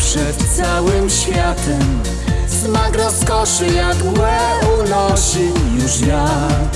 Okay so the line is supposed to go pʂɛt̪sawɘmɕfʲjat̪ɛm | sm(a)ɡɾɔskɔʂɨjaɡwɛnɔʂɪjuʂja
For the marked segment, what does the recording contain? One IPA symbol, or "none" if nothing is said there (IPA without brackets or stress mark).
a